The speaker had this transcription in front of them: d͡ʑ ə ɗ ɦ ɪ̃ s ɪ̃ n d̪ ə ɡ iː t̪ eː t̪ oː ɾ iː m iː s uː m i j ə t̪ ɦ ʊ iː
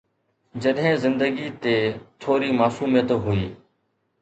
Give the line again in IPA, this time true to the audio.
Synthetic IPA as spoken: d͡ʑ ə ɗ ɦ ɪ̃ z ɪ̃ n d̪ ə ɡ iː t̪ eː t̪ʰ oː ɾ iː m aː s uː m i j ə t̪ ɦ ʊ iː